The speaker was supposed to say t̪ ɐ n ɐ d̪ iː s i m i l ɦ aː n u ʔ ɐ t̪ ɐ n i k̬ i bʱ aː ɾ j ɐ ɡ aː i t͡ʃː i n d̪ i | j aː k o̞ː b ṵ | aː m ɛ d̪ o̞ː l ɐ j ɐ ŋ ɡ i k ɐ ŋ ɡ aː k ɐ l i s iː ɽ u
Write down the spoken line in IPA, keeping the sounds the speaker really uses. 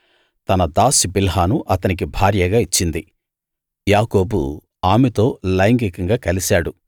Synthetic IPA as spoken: t̪ ɐ n ɐ d̪ aː s i b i l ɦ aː n u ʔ ɐ t̪ ɐ n i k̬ i bʱ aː ɾ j ɐ ɡ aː i t͡ʃː i n d̪ i | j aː k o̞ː b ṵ | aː m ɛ t̪ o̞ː l ɐ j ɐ ŋ ɡ i k ɐ ŋ ɡ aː k ɐ l i s aː ɽ u